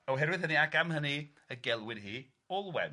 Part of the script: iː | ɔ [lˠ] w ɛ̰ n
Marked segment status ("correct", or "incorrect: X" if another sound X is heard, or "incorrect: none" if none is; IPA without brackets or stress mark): correct